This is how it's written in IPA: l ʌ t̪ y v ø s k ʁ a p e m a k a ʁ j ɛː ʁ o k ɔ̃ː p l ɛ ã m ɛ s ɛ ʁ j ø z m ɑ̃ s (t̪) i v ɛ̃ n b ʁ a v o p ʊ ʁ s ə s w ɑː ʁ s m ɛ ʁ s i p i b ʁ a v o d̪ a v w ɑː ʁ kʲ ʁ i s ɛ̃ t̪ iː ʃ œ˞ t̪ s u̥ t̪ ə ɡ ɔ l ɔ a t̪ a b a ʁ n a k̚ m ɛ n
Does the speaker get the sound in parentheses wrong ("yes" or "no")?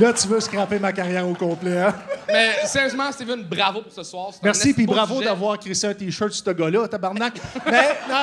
no